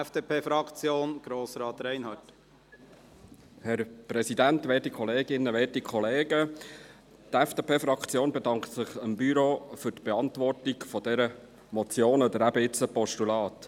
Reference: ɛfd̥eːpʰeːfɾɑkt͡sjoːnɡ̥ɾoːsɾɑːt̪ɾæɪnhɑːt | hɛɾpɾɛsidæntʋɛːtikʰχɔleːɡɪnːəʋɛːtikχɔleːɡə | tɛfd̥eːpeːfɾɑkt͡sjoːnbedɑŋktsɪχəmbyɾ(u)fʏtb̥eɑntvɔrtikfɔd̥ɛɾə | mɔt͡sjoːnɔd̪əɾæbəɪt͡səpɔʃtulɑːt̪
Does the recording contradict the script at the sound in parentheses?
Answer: yes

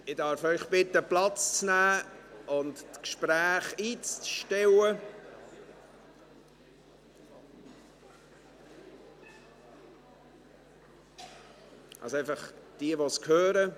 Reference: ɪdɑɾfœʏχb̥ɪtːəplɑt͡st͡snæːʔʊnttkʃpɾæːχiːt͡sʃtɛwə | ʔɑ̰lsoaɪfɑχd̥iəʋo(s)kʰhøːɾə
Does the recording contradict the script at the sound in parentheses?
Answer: no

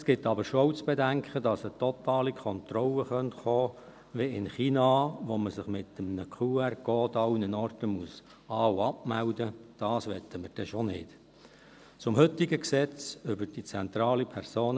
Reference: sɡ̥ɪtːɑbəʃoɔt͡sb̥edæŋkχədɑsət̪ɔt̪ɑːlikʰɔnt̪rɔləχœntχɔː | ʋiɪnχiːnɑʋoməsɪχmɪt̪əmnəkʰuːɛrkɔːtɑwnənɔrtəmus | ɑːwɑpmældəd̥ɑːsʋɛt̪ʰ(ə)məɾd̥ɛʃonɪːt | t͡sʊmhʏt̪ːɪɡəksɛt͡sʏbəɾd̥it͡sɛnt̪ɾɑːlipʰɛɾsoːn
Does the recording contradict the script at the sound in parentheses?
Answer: no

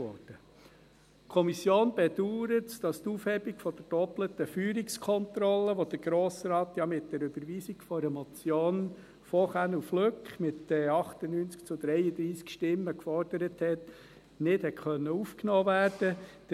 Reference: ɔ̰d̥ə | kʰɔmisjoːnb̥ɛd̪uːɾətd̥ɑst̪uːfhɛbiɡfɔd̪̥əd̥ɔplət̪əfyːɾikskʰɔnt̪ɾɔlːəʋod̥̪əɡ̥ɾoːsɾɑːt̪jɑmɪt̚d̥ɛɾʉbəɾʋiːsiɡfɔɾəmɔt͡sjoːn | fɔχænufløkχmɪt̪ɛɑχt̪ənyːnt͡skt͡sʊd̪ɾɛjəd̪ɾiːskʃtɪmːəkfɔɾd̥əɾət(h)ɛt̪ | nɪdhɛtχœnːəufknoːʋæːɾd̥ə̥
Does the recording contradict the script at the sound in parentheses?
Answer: no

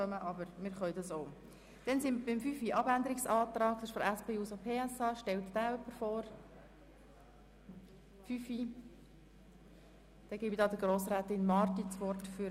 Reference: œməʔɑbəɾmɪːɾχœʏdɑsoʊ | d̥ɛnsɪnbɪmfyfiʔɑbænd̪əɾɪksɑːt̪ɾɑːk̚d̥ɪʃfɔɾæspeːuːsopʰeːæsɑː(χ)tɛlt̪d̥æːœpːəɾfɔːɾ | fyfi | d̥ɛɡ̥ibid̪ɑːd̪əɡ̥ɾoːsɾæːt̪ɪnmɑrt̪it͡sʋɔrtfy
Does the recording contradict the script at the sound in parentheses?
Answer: yes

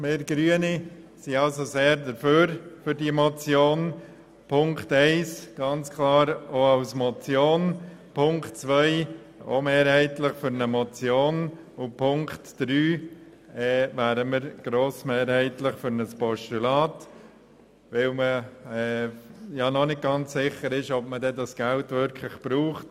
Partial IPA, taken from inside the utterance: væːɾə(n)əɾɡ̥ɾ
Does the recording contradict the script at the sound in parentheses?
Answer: yes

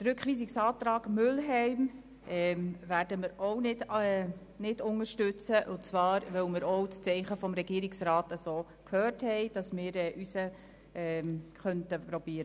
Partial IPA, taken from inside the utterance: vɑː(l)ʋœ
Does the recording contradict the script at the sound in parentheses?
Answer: yes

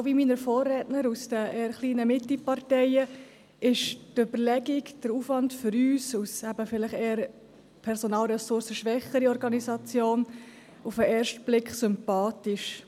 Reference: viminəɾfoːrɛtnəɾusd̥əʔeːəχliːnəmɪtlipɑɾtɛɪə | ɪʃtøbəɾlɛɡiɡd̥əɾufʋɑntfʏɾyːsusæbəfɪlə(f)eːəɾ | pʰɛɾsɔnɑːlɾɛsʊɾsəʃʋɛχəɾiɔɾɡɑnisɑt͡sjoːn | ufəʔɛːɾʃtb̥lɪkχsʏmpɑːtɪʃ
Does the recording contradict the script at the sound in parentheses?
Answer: yes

